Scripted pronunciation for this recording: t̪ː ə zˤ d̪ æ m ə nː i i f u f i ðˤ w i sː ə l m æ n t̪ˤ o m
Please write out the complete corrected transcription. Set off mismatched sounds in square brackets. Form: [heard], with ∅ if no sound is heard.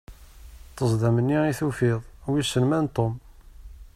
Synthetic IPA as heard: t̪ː ə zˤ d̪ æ m ə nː i i [θ] u f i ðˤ w i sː ə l m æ n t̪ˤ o m